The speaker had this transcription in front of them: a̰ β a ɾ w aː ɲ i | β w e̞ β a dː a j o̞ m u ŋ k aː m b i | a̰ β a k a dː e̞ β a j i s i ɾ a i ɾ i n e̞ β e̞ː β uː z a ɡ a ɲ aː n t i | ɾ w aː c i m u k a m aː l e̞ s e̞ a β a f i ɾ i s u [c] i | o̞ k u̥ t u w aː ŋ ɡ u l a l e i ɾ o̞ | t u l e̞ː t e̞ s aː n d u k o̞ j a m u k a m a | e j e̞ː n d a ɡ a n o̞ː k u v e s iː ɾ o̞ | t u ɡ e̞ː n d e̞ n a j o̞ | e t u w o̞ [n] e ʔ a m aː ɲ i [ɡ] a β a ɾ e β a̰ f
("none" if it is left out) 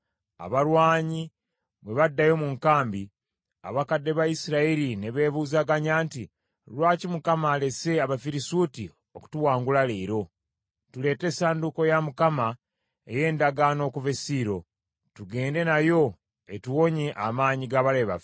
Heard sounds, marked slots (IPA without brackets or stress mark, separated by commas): t, ɲ, ɡ